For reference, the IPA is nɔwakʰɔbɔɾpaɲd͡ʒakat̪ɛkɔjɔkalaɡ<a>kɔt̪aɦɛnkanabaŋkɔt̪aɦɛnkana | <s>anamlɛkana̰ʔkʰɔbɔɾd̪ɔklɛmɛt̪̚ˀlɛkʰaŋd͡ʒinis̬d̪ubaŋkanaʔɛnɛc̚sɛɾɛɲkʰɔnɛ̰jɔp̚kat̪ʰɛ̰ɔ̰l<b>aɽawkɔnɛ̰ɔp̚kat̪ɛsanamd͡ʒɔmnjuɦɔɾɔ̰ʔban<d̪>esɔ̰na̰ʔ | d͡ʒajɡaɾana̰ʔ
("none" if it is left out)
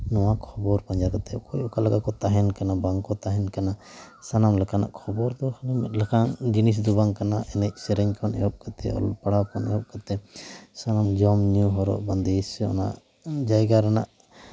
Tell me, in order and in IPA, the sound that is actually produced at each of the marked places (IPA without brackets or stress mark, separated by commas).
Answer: a, s, p, d̪